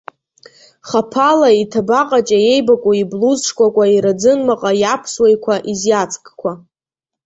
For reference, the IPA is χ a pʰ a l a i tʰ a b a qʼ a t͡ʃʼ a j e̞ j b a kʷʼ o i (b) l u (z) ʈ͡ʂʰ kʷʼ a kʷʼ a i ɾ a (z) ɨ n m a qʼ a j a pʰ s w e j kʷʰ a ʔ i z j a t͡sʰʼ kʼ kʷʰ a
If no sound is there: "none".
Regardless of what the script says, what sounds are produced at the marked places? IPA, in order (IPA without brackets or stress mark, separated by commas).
b, z, d͡z